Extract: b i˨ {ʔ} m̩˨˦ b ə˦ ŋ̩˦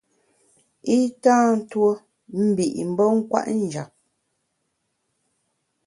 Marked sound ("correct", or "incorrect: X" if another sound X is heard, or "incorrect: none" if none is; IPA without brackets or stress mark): correct